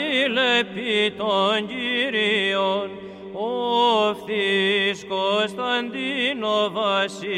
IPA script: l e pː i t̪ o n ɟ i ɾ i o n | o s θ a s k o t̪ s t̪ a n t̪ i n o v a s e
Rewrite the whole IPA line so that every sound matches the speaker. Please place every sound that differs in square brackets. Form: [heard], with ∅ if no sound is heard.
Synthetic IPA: l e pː i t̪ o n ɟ i ɾ i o n | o [f] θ [i] s k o [∅] s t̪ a n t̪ i n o v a s [i]